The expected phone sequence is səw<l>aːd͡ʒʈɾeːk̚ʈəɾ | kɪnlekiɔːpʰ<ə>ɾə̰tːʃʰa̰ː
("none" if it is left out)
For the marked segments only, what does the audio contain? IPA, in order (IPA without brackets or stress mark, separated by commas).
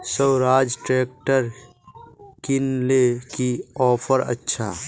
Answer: ɾ, ə